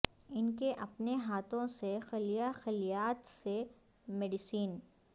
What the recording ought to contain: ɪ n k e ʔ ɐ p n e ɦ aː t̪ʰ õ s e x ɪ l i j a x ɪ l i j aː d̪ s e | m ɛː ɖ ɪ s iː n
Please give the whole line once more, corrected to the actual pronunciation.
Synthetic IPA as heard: ɪ n k e ʔ ɐ p n e ɦ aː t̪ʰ õ s e x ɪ l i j a x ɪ l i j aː t̪ s e | m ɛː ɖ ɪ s iː n